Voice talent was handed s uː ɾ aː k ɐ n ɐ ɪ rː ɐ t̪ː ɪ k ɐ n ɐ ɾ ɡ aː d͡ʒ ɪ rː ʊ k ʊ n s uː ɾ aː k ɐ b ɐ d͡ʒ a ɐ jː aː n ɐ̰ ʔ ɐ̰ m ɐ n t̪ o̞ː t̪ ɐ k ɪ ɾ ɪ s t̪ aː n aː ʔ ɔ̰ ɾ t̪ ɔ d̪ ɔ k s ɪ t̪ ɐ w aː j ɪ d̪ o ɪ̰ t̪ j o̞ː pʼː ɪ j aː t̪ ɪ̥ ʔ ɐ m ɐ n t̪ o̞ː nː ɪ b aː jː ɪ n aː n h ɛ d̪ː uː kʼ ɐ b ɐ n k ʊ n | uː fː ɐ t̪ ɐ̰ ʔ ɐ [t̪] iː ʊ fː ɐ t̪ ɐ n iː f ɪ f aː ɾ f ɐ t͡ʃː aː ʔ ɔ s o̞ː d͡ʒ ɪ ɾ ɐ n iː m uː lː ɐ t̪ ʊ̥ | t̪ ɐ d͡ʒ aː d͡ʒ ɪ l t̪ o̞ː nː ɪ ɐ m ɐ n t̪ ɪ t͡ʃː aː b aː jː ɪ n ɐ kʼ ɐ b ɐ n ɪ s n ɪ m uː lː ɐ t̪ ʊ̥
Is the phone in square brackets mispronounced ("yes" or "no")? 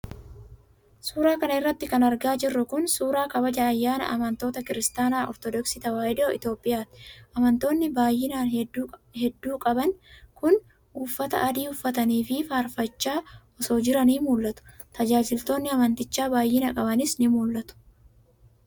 yes